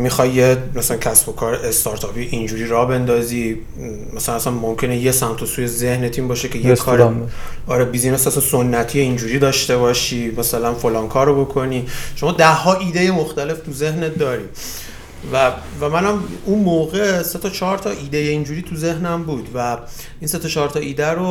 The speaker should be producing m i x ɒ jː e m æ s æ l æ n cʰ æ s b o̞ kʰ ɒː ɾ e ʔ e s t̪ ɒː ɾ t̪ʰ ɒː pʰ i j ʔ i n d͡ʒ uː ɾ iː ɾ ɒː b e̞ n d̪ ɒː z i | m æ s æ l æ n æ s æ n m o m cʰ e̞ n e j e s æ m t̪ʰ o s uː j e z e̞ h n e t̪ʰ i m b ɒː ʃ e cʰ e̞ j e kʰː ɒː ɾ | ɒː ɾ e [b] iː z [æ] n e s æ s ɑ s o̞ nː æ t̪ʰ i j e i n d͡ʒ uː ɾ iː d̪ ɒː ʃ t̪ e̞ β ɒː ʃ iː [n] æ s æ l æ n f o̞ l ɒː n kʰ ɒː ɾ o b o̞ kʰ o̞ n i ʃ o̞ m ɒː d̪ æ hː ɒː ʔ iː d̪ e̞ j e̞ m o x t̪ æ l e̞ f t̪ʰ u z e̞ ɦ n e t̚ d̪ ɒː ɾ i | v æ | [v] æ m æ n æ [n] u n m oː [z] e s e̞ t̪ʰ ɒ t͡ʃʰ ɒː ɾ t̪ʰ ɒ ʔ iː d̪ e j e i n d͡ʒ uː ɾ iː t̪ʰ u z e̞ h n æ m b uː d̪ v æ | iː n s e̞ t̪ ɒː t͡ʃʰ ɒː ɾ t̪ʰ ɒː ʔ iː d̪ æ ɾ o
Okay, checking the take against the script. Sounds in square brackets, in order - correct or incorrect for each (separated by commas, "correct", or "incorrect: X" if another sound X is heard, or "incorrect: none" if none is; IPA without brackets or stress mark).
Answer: correct, incorrect: i, incorrect: m, correct, incorrect: m, incorrect: ɣ